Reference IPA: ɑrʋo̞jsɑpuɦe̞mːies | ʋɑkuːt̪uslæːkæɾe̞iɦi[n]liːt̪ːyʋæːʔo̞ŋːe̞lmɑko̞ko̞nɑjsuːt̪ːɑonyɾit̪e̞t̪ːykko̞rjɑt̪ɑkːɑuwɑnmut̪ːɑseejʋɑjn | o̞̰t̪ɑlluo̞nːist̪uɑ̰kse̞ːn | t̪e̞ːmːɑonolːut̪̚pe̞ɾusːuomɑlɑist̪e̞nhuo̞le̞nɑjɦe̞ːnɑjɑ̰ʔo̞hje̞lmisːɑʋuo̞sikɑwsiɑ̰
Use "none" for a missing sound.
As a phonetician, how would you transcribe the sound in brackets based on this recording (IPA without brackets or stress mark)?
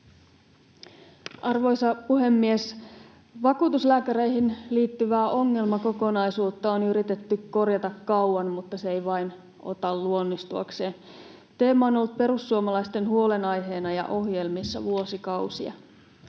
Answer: n